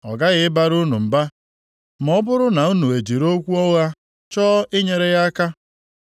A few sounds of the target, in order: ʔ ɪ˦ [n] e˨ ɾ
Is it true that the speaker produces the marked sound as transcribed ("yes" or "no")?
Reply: no